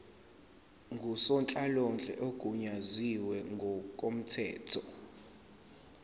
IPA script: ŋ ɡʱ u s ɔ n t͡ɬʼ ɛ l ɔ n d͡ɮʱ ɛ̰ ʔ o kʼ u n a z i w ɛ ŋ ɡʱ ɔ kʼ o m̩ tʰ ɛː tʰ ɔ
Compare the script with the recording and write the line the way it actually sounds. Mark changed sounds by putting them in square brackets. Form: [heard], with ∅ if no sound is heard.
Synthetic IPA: ŋ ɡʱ u s ɔ n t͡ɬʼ [a] l ɔ n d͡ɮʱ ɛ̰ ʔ o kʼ u [ɲ] a z i w ɛ ŋ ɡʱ ɔ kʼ o m̩ tʰ ɛː tʰ ɔ